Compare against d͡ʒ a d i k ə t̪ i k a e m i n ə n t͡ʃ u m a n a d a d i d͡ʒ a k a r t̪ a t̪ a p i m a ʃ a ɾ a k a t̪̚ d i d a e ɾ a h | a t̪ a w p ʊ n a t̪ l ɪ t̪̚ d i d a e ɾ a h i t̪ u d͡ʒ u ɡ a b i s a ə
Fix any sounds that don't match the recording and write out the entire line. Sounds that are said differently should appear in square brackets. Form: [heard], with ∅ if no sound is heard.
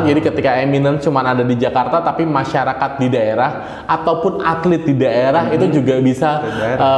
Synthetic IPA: d͡ʒ a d i k ə t̪ i k a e m i n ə n t͡ʃ u m a n a d a d i d͡ʒ a k a r t̪ a t̪ a p i m a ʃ a ɾ a k a t̪̚ d i d a e ɾ a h | a t̪ a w p ʊ n a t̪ l ɪ t̪̚ d i d a e ɾ a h i t̪ u d͡ʒ u ɡ a b i s a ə